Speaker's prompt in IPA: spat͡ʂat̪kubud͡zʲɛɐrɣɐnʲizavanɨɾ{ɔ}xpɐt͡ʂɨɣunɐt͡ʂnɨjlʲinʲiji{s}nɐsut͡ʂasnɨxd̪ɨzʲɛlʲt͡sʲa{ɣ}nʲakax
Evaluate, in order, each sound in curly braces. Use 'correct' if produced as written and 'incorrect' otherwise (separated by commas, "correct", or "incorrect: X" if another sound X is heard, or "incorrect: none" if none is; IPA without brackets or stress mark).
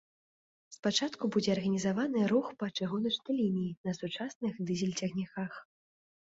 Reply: incorrect: u, incorrect: none, correct